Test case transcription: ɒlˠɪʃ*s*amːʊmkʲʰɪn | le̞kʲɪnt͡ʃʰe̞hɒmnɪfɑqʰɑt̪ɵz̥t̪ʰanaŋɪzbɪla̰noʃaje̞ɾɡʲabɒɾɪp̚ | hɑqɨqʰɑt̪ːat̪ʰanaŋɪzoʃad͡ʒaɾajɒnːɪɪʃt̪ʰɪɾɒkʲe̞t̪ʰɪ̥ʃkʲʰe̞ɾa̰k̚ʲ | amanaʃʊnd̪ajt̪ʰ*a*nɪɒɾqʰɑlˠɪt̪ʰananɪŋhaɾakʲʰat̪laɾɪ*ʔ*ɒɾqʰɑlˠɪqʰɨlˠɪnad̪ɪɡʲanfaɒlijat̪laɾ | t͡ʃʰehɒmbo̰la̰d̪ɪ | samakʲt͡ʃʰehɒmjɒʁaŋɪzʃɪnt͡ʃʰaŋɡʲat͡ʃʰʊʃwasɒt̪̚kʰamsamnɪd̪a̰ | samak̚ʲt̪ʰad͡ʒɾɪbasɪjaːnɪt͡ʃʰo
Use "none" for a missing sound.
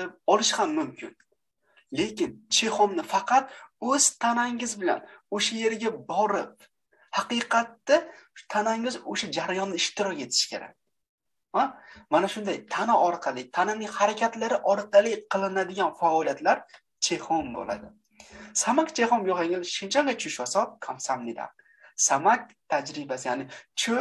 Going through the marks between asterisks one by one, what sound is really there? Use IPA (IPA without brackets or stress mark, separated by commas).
h, a, ʔ